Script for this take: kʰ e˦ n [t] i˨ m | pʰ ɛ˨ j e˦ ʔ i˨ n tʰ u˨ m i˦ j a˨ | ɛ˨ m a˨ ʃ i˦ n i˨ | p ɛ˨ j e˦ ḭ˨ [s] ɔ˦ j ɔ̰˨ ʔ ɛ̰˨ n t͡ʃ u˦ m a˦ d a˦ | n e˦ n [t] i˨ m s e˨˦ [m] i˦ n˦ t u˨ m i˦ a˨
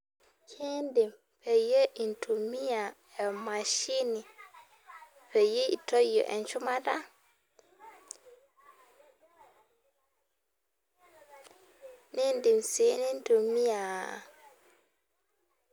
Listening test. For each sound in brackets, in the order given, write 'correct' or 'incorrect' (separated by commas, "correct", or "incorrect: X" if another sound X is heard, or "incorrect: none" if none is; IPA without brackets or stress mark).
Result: incorrect: d, incorrect: t, incorrect: d, incorrect: n